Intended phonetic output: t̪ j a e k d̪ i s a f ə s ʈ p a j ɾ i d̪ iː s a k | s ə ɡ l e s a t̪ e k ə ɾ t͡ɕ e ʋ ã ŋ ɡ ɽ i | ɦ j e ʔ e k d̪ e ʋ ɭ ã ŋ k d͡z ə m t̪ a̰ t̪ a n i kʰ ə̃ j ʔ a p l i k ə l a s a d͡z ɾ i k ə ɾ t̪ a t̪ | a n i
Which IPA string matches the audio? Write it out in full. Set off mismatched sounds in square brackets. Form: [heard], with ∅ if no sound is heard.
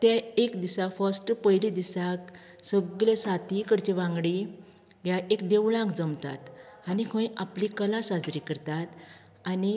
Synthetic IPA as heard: t̪ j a e k d̪ i s a f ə s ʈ p [ə] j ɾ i d̪ [i] s a k | s ə ɡ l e s a t̪ [i] k ə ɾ t͡ɕ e ʋ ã ŋ ɡ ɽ i | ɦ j [a] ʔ e k d̪ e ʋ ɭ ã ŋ k d͡z ə m t̪ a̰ t̪ a n i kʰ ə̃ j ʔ a p l i k ə l a s a d͡z ɾ i k ə ɾ t̪ a t̪ | a n i